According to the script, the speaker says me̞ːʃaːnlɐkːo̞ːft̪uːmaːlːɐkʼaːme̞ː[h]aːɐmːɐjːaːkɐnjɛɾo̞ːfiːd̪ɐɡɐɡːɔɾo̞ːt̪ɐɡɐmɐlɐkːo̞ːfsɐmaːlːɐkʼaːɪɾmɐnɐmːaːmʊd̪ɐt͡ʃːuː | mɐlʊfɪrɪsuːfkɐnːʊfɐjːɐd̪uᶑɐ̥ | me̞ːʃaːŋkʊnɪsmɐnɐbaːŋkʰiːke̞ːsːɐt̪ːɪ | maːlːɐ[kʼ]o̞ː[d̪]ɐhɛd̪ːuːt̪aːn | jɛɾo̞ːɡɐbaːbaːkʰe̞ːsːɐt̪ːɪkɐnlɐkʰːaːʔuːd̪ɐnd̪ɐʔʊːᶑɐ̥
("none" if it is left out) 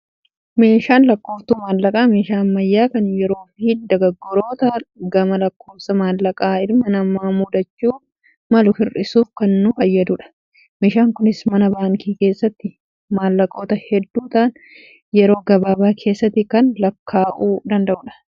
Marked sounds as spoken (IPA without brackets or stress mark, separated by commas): ʃ, kʼ, t̪